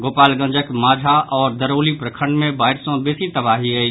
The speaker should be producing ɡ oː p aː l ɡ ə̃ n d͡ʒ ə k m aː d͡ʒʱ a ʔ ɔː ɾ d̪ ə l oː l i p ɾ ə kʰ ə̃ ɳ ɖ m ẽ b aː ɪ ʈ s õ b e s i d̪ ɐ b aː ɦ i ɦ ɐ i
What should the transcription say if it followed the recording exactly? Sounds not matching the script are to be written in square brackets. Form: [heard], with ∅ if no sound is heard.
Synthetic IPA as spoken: ɡ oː p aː l ɡ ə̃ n d͡ʒ ə k m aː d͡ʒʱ a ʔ ɔː ɾ d̪ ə [ɾ] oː l i p ɾ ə kʰ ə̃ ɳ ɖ m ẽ b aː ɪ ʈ s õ b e s i [t̪] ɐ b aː ɦ i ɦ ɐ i